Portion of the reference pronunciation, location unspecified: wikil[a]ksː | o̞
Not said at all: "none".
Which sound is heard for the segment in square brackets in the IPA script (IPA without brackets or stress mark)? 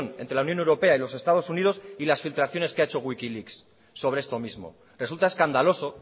i